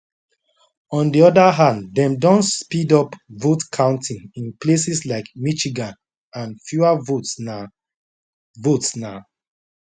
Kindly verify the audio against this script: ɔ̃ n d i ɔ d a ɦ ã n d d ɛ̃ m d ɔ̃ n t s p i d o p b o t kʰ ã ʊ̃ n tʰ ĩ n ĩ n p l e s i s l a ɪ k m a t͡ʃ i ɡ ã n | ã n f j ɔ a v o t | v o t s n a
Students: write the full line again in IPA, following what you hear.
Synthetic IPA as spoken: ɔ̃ n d i ɔ d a ɦ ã n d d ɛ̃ m d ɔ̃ n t s p i d ɔ p v o t kʰ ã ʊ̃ n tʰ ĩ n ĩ n p l e s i s l a ɪ k m i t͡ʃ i ɡ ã n | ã n f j u a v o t | v o t s n a